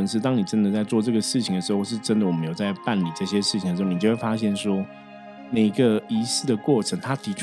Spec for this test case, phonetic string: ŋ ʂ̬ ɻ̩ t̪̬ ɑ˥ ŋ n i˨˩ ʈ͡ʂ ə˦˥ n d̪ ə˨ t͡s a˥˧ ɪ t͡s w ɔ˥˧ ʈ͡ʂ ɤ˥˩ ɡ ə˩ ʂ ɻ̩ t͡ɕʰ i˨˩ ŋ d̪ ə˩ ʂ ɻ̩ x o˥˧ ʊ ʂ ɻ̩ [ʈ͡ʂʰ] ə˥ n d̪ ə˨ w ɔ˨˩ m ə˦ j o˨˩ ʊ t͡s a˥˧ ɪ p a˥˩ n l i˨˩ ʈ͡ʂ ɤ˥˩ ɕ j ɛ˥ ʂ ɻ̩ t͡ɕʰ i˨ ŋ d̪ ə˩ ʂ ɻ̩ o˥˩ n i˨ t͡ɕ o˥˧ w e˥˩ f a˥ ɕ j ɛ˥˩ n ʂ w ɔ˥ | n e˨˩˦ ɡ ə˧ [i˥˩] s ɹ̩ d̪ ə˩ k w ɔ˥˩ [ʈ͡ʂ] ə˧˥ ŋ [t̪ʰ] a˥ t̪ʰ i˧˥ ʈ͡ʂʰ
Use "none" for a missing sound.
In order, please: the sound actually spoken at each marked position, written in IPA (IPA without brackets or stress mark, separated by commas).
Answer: ʈ͡ʂ, i˧˥, ʈ͡ʂʰ, t̪ʰ